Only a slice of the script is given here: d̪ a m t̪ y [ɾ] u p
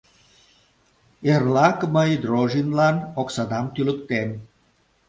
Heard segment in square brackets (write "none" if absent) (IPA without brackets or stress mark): l